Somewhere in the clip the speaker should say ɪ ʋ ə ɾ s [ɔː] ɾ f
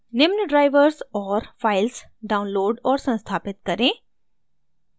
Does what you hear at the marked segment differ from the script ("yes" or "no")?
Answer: no